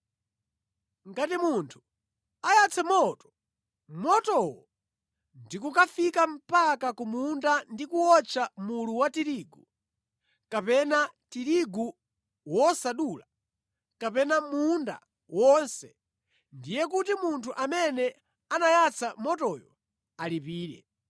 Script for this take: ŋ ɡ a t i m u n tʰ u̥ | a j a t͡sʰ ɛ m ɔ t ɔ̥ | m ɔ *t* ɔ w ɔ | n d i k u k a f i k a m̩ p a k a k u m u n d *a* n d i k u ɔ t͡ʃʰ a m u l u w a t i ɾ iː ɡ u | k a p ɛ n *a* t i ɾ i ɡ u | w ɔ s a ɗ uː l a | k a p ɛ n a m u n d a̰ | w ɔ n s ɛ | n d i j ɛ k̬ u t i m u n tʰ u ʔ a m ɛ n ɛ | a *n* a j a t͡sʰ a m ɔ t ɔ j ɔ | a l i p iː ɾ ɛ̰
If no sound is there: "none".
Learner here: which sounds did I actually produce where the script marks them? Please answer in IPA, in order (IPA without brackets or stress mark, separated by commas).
t, a, a, n